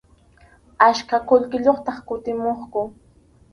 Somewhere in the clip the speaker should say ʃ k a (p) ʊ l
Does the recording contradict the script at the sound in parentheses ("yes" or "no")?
yes